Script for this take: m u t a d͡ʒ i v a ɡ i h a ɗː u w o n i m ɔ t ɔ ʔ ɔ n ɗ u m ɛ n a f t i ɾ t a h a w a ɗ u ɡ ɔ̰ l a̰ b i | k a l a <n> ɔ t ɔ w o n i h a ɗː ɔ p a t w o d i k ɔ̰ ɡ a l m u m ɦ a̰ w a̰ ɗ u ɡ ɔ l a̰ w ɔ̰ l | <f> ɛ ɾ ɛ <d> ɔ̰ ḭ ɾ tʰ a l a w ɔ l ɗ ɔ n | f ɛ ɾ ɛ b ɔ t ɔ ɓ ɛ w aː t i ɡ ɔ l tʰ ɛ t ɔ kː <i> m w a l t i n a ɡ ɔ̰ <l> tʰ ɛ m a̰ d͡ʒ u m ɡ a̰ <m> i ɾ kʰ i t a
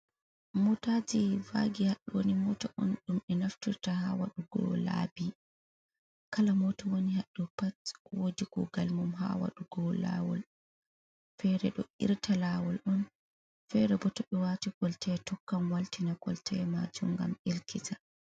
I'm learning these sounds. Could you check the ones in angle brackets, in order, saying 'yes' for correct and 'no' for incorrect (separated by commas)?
no, yes, no, no, yes, yes